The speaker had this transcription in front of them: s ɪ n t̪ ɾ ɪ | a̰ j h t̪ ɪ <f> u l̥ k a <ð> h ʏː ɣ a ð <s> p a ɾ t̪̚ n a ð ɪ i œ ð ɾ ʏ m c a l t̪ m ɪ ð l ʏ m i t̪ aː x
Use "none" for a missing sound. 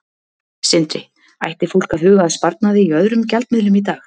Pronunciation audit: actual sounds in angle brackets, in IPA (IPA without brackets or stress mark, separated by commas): f, ð, s